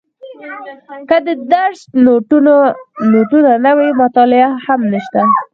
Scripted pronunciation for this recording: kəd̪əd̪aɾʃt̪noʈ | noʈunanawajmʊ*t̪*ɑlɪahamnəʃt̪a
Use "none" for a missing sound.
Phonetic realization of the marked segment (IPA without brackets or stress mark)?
t̪